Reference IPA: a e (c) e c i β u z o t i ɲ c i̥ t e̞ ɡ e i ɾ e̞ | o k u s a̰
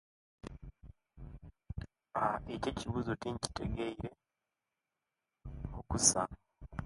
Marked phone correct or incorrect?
correct